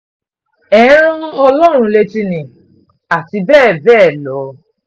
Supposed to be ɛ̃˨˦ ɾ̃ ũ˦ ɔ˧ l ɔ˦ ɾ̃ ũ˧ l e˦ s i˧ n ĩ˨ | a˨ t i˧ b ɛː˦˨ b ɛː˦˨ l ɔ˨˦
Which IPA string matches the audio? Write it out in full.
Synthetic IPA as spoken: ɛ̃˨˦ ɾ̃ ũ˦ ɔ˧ l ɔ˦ ɾ̃ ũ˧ l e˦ t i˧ n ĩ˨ | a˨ t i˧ b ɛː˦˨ b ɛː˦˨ l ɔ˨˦